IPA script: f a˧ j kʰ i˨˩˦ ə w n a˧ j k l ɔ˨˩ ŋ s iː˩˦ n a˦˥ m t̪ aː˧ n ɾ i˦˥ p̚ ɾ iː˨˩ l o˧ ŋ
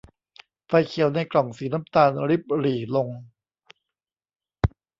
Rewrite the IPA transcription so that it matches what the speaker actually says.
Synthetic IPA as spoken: f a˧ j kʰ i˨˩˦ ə w n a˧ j k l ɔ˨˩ ŋ s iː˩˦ n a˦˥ m t̪ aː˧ n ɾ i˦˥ p̚ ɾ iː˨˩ l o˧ ŋ